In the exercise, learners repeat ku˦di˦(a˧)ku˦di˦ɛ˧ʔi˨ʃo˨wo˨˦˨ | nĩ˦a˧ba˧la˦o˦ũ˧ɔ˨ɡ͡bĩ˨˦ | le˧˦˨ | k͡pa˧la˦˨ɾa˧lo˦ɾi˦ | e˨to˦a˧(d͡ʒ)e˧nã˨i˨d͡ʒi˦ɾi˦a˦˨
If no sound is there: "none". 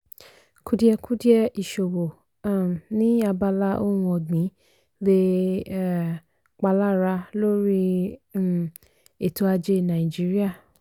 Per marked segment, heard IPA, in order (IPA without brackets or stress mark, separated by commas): ɛ˧, d͡ʒ